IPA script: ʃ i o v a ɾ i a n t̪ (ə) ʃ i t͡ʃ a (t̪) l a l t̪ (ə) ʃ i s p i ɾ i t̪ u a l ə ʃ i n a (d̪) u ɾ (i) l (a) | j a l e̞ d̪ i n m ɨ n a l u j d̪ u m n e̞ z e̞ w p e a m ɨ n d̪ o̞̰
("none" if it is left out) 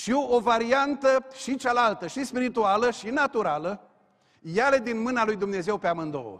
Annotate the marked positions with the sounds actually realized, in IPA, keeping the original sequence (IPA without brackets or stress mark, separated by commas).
ə, none, ə, t̪, a, ə